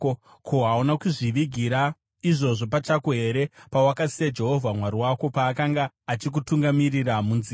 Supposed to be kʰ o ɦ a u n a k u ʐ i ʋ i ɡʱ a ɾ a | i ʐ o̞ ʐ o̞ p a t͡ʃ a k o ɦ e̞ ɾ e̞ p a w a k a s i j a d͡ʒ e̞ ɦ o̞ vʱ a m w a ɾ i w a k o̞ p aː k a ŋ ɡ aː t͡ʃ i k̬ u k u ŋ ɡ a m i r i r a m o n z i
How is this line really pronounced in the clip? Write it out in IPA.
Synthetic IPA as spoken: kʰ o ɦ a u n a k u ʐ i ʋ i ɡʱ i ɾ a | i ʐ o̞ ʐ o̞ p a t͡ʃ a k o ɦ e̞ ɾ e̞ p a w a k a s i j a d͡ʒ e̞ ɦ o̞ vʱ a m w a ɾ i w a k o̞ p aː k a ŋ ɡ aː t͡ʃ i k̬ u t u ŋ ɡ a m i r i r a m u n z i